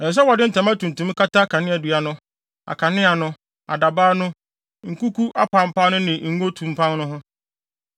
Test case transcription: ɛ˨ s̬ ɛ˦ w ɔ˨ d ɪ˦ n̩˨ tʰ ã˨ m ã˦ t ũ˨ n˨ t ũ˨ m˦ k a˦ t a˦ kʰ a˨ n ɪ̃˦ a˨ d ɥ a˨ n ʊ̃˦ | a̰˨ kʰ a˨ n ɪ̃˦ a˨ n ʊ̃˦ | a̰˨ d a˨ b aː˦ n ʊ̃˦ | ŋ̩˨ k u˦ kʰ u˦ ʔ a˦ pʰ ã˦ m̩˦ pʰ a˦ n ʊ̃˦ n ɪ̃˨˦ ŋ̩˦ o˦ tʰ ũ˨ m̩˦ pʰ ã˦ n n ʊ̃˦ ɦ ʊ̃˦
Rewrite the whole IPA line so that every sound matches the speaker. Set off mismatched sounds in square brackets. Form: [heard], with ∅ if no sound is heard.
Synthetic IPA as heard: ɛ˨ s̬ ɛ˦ w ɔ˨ d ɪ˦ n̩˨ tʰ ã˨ m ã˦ t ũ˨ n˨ t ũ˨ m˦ k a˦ t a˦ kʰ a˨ n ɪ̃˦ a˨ d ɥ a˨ n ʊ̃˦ | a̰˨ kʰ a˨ n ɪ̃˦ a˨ n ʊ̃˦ | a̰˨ d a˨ b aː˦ n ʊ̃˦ | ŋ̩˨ k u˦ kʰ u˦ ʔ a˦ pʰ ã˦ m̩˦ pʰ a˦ n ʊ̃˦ n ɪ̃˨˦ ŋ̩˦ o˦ tʰ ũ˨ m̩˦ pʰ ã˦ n n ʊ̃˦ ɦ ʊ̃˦